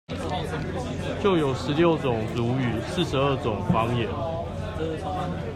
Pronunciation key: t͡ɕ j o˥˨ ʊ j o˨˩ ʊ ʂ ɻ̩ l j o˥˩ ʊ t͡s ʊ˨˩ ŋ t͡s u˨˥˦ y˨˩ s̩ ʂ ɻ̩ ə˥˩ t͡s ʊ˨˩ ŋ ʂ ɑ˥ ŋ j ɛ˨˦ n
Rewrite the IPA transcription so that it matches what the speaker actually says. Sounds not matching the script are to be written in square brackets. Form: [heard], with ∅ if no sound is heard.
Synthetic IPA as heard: t͡ɕ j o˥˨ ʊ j o˨˩ ʊ ʂ ɻ̩ l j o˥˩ ʊ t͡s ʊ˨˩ ŋ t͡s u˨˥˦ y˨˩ s̩ ʂ ɻ̩ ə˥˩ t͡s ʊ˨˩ ŋ [f] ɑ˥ ŋ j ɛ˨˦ n